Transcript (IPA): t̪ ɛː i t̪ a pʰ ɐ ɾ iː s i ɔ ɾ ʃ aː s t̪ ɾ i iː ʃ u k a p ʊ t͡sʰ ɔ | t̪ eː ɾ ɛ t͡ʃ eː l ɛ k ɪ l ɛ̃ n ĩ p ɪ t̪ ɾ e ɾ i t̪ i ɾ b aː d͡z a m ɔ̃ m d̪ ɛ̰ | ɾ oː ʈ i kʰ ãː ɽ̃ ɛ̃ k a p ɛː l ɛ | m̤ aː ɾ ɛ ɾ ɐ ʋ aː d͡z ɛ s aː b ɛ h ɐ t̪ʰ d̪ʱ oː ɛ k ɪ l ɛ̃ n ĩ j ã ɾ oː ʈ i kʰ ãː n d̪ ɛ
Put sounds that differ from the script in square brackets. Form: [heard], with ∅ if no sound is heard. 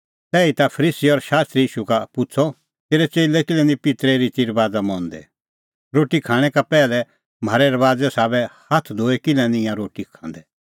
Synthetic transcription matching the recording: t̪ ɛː i t̪ a pʰ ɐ ɾ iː s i ɔ ɾ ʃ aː s t̪ ɾ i iː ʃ u k a p ʊ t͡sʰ ɔ | t̪ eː ɾ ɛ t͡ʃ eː l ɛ k ɪ l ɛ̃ n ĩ p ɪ t̪ ɾ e ɾ i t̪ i ɾ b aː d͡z a m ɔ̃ [n] d̪ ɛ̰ | ɾ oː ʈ i kʰ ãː ɽ̃ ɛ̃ k a p ɛː l ɛ | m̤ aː ɾ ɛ ɾ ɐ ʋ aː d͡z ɛ s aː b ɛ h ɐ t̪ʰ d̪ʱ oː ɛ k ɪ l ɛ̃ n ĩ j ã ɾ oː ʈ i kʰ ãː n d̪ ɛ